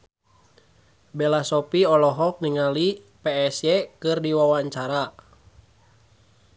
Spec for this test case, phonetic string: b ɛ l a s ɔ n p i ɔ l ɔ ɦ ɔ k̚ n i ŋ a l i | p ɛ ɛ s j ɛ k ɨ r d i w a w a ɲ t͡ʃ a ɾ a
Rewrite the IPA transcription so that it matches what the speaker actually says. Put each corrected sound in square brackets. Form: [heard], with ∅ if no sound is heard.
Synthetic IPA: b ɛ l a s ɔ [∅] p i ɔ l ɔ ɦ ɔ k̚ n i ŋ a l i | p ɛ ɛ s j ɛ k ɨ r d i w a w a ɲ t͡ʃ a ɾ a